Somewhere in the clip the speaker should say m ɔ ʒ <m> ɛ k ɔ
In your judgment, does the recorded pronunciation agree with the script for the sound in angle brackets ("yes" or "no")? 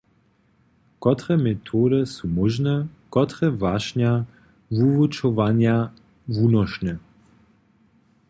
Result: no